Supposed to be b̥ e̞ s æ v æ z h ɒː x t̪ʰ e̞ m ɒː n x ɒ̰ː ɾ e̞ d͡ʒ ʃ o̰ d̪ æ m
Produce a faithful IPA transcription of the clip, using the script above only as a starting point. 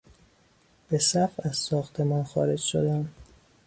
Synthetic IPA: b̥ e̞ s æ f æ z s ɒː x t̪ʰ e̞ m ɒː n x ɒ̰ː ɾ e̞ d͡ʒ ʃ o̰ d̪ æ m